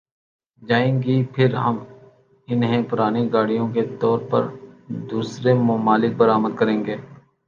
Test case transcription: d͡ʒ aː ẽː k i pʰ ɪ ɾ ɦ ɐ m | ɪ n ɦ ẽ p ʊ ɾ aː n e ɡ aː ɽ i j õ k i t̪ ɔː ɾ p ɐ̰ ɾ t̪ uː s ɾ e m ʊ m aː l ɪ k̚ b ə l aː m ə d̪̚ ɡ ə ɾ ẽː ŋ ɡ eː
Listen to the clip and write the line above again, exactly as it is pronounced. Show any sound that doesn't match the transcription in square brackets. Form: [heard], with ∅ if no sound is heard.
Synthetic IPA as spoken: d͡ʒ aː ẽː [ɡ] i pʰ ɪ ɾ ɦ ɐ m | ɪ n ɦ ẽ p ʊ ɾ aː n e ɡ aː ɽ i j õ k [e] t̪ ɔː ɾ p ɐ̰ ɾ [d̪] uː s ɾ e m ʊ m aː l ɪ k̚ b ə [ɾ] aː m ə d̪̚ [k] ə ɾ ẽː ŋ ɡ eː